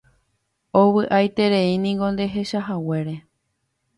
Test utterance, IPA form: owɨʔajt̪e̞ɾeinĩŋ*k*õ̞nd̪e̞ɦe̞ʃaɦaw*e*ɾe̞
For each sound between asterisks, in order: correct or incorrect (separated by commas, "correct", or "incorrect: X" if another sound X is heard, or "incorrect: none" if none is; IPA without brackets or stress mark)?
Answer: incorrect: ɡ, correct